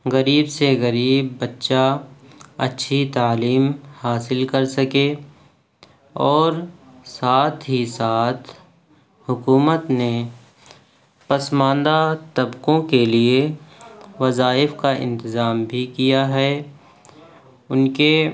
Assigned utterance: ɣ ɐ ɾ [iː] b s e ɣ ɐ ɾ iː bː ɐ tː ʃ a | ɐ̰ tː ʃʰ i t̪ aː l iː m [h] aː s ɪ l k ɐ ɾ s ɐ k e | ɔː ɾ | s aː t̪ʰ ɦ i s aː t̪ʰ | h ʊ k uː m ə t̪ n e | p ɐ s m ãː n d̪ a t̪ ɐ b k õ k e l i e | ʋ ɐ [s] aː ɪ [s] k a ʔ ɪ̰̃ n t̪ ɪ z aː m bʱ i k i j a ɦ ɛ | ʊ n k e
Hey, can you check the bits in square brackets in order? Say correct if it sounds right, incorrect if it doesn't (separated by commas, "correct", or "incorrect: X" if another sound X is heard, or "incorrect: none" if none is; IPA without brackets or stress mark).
correct, correct, incorrect: z, incorrect: f